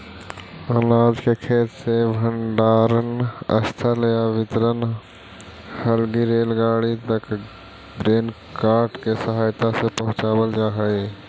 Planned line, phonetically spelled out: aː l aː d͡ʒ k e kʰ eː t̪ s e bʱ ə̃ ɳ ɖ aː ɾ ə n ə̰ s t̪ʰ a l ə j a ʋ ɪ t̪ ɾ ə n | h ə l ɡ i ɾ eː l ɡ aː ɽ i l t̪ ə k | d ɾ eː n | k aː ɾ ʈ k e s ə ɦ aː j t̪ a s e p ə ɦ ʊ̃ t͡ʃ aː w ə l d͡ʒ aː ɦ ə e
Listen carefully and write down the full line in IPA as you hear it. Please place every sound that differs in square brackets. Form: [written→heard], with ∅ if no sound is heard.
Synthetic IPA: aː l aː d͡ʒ k e kʰ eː t̪ s e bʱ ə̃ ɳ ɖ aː ɾ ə n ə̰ s t̪ʰ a l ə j a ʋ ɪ t̪ ɾ ə n | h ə l ɡ i ɾ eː l ɡ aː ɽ i [l→∅] t̪ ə k | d ɾ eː n | k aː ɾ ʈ k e s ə ɦ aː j t̪ a s e p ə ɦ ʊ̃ t͡ʃ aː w ə l d͡ʒ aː ɦ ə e